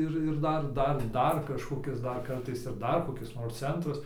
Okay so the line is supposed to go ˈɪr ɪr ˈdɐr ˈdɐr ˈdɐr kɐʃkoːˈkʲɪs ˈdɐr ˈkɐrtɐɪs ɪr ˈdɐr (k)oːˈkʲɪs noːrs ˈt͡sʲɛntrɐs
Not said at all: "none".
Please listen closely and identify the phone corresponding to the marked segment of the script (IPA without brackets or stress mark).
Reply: k